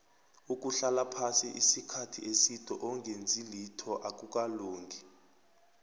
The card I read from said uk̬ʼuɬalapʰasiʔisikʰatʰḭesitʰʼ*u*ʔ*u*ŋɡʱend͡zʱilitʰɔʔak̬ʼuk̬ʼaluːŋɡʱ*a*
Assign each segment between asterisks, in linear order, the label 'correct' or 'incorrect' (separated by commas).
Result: incorrect, incorrect, incorrect